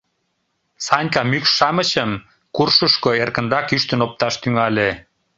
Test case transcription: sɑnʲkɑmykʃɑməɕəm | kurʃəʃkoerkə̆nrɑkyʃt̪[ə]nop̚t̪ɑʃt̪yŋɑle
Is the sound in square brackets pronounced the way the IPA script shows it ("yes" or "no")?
yes